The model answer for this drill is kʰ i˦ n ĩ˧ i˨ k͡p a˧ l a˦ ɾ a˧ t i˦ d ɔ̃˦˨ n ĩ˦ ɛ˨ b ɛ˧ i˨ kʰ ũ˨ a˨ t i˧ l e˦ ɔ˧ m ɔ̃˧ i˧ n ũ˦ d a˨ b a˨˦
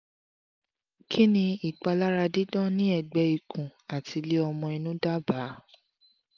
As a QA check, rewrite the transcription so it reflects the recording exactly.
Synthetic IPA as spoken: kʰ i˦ n ĩ˧ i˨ k͡p a˧ l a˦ ɾ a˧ d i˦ d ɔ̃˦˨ n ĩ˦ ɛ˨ ɡ͡b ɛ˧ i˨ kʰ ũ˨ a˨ t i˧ l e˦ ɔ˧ m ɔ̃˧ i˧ n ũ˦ d a˦ b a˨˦